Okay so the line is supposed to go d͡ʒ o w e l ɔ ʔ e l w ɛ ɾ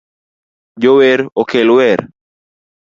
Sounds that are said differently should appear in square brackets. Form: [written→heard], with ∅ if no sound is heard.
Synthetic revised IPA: d͡ʒ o w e [l→ɾ] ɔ [ʔ→k] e l w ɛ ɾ